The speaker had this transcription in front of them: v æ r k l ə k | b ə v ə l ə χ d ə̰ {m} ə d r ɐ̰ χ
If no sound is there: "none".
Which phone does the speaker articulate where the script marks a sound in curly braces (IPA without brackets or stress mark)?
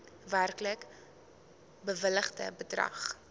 b